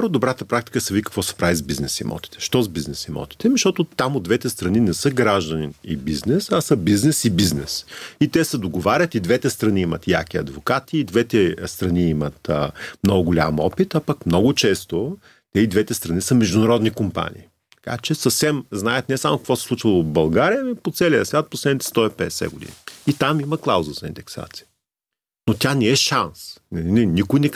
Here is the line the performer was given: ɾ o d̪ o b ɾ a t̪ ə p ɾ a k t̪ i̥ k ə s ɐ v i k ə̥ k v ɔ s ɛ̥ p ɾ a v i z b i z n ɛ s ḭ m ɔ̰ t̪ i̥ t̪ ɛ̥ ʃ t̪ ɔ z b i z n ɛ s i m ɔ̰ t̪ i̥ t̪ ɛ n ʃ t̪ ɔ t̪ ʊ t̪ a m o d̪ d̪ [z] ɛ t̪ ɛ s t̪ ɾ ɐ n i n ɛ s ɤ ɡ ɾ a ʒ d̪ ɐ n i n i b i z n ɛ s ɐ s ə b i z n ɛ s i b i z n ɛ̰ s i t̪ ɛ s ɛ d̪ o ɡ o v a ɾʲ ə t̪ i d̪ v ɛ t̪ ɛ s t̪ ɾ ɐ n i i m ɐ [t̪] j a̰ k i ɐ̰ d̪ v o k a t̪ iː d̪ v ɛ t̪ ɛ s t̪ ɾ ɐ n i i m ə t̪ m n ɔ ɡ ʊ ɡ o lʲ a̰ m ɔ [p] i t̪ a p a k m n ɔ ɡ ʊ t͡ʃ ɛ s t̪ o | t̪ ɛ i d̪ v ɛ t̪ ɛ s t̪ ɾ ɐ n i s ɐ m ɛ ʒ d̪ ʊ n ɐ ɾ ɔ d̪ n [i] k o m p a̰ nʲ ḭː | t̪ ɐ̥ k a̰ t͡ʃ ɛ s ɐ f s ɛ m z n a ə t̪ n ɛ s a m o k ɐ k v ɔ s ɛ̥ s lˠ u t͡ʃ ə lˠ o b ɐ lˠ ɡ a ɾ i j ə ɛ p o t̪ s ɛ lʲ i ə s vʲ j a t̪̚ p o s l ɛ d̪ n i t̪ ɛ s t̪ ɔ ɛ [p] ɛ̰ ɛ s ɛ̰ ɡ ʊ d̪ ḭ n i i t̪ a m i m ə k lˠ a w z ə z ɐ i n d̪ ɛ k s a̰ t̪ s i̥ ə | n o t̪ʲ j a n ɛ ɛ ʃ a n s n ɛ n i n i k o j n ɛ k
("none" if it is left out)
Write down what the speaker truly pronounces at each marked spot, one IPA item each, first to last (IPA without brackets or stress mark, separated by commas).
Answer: v, t̪, p, i, p